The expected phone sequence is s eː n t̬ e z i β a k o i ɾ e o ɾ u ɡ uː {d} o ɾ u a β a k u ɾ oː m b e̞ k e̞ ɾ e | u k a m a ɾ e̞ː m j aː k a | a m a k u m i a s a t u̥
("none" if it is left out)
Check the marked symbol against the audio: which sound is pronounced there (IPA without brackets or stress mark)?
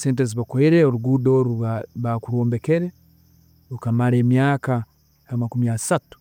d